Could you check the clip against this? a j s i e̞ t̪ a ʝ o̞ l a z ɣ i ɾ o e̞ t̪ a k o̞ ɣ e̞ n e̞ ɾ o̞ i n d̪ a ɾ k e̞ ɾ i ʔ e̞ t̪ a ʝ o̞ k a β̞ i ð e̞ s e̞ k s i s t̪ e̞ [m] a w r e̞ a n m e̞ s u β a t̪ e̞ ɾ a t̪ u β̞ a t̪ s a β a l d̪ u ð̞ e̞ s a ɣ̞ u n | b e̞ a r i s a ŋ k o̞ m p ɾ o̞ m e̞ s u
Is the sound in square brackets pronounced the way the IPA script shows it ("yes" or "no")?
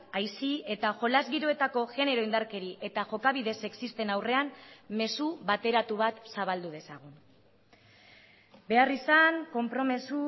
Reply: no